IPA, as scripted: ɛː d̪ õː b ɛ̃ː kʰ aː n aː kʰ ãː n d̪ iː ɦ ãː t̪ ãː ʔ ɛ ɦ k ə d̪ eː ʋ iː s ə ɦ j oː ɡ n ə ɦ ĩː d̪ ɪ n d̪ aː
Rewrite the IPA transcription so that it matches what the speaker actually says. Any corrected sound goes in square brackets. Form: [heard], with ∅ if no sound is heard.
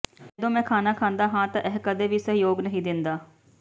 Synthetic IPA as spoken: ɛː d̪ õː [m] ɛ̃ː kʰ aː n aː kʰ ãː n d̪ [aː] ɦ ãː t̪ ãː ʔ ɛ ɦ k ə d̪ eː ʋ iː s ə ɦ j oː ɡ n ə ɦ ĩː d̪ ɪ n d̪ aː